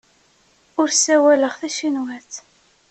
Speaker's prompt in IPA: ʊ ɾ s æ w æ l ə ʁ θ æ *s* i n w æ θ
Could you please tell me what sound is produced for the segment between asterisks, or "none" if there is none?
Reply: ʃ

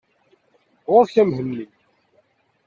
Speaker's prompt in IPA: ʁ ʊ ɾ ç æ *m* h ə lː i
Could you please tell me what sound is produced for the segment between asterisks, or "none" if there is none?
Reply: m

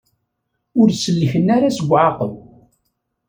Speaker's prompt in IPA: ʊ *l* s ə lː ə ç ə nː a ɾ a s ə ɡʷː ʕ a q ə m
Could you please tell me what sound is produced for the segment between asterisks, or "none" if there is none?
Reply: ɾ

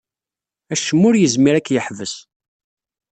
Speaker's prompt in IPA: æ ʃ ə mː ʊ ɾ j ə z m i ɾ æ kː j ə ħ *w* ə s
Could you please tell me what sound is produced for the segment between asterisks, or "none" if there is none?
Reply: v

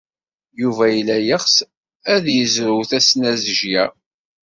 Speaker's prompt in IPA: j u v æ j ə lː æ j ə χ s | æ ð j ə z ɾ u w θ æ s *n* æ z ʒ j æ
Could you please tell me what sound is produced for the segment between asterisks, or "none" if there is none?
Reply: n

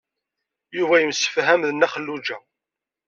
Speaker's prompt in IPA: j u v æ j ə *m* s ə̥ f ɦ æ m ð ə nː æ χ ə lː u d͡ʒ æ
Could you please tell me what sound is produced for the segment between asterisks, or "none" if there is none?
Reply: m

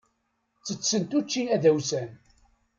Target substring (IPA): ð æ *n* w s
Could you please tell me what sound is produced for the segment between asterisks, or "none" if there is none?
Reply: none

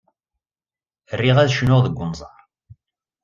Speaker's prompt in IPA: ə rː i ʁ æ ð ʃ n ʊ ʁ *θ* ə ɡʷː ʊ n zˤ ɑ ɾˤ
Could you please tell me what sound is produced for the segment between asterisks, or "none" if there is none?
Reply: ð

